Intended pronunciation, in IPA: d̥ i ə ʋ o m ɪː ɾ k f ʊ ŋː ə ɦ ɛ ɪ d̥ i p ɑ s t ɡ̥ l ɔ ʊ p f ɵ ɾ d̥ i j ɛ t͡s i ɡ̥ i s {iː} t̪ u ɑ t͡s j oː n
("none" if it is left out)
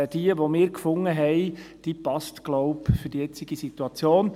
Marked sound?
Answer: i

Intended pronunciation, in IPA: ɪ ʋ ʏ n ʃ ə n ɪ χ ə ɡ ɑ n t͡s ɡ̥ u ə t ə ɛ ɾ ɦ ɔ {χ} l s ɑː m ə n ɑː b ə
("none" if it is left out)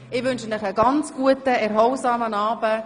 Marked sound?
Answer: none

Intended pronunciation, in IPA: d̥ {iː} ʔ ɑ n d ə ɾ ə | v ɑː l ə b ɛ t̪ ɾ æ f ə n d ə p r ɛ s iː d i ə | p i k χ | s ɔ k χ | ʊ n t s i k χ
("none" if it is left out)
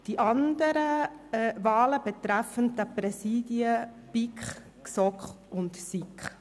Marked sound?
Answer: i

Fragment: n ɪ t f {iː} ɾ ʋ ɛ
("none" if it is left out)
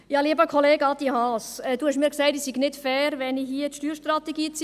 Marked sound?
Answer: ɛː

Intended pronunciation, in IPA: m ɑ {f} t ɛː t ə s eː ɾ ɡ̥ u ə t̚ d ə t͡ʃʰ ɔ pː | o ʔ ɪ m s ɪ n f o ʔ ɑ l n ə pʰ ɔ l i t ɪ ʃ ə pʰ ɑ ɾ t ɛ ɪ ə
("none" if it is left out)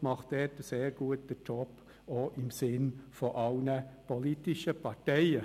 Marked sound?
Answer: χ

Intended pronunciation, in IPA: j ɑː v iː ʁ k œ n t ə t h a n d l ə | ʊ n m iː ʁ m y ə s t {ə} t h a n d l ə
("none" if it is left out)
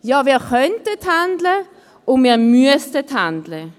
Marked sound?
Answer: ə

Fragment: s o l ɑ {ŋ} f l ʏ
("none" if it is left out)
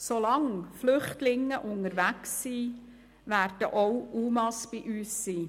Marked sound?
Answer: ŋ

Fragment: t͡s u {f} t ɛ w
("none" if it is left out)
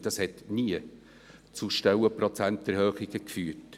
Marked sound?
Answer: ʃ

